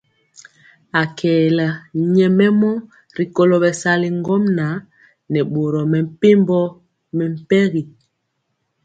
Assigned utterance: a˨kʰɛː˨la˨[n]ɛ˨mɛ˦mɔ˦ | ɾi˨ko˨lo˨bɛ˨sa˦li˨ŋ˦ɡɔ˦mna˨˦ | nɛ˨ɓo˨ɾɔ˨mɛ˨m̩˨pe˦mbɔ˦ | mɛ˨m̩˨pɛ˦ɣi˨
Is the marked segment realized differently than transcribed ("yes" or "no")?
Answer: yes